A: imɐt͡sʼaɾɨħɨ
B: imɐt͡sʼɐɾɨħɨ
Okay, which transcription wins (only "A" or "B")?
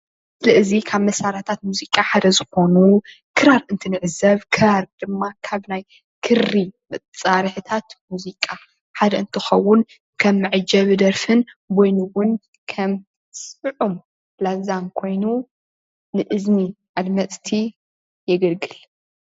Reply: A